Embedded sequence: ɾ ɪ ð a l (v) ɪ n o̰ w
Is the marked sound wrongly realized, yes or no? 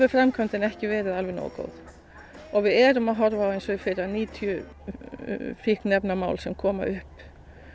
no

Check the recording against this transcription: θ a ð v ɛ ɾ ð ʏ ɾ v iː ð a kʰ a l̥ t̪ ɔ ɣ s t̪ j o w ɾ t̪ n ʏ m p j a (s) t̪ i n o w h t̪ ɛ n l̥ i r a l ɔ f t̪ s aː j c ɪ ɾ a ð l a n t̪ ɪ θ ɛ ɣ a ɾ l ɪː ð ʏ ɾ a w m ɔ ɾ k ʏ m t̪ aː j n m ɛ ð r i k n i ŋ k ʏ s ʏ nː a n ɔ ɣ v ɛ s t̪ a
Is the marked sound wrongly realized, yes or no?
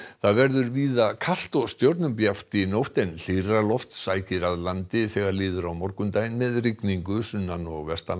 yes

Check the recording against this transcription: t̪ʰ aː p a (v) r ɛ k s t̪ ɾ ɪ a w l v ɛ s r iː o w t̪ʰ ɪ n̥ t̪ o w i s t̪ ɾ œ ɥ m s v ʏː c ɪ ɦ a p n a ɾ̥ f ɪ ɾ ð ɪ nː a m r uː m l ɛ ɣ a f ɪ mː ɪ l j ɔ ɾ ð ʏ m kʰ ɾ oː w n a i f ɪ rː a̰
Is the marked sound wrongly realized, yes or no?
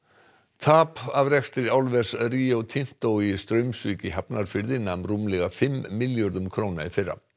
no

